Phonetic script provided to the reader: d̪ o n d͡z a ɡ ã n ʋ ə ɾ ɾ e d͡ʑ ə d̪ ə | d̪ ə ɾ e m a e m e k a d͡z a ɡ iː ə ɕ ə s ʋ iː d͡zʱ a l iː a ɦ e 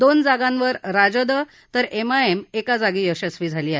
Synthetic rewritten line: d̪ o n d͡z a ɡ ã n ʋ ə ɾ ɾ a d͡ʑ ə d̪ ə | t̪ ə ɾ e m a e m e k a d͡z a ɡ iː ə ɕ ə s ʋ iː d͡zʱ a l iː a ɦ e